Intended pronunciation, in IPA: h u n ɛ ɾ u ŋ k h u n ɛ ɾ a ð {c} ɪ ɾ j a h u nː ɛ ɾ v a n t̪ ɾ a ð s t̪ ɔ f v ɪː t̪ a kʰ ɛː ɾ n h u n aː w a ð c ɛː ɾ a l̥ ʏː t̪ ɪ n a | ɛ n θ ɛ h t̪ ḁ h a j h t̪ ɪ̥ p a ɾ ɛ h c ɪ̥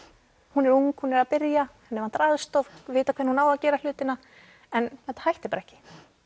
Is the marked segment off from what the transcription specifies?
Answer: yes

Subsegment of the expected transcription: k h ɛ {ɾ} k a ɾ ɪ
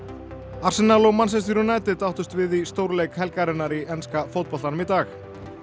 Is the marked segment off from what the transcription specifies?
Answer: yes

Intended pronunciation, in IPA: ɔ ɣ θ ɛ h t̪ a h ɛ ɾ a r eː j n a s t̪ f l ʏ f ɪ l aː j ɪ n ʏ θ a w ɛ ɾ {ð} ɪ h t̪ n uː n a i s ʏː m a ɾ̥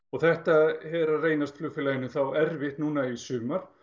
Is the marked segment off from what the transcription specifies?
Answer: yes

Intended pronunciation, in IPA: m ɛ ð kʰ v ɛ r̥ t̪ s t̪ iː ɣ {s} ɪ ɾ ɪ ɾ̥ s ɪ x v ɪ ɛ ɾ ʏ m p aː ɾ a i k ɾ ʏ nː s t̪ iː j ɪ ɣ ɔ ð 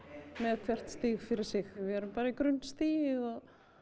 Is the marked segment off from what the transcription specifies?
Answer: yes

